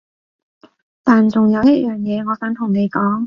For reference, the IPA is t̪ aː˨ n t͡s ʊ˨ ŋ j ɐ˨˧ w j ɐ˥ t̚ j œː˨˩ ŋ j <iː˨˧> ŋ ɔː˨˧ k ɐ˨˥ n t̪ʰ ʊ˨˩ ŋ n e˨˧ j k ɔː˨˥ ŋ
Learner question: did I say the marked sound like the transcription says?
no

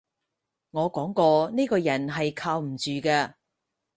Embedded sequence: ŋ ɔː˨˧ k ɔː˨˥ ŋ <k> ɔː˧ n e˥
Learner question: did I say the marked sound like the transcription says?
yes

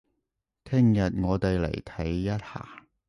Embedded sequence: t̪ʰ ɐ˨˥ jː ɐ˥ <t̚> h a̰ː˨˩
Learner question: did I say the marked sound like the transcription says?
yes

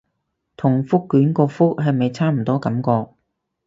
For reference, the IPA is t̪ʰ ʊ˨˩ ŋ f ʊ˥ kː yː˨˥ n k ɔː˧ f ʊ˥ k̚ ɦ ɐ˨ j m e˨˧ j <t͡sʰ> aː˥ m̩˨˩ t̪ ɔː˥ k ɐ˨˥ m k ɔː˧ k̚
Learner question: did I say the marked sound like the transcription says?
yes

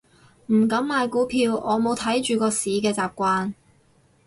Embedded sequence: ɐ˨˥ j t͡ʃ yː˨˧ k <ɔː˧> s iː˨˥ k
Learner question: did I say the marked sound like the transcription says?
yes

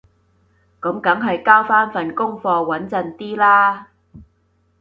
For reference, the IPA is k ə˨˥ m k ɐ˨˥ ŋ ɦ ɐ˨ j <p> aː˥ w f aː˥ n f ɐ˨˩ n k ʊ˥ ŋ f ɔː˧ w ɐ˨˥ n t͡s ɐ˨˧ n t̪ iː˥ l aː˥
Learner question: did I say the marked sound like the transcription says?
no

